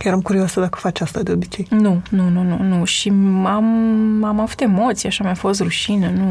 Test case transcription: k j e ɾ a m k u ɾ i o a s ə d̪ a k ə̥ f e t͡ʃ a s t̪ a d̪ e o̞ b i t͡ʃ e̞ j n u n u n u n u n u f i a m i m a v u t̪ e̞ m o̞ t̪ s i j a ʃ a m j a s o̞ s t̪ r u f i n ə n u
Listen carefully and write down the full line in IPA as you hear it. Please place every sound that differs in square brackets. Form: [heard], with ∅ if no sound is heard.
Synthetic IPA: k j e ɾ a m k u ɾ i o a s ə d̪ a k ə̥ f [a] t͡ʃ a s t̪ a d̪ e o̞ b i t͡ʃ e̞ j n u n u n u n u n u [ʃ] i a m [a] m a v u t̪ e̞ m o̞ t̪ s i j a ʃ a m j a [f] o̞ s t̪ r u [ʃ] i n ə n u